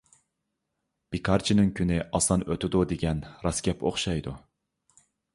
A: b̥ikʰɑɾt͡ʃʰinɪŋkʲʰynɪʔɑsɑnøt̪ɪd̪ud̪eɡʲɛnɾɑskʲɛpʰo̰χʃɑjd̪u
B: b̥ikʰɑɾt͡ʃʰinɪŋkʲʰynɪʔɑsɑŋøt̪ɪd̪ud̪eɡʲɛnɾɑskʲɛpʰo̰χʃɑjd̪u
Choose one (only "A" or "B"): A